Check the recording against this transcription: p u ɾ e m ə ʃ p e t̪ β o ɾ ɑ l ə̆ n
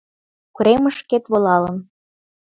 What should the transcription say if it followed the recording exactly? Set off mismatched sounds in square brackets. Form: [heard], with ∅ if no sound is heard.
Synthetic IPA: [k] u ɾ e m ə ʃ [k] e t̪ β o [l] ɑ l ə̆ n